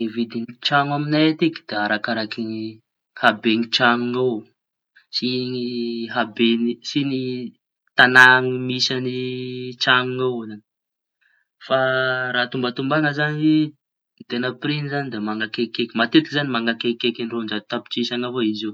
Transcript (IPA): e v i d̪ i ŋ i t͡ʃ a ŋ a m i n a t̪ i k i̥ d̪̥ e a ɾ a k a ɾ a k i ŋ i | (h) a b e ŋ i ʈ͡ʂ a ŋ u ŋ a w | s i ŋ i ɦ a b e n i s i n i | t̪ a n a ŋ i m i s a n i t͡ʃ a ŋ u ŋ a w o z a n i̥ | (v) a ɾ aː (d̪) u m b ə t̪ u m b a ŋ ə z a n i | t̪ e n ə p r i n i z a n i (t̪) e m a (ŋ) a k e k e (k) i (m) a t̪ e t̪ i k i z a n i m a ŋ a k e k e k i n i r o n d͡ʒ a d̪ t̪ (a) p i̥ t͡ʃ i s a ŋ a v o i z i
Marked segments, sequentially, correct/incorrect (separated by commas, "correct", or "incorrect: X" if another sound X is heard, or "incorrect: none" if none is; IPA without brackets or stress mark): correct, incorrect: f, incorrect: t̪, incorrect: d̪, correct, correct, correct, correct